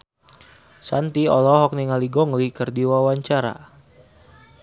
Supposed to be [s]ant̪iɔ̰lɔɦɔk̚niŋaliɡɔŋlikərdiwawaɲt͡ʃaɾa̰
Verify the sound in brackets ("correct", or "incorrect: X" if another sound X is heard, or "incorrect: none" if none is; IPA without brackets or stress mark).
correct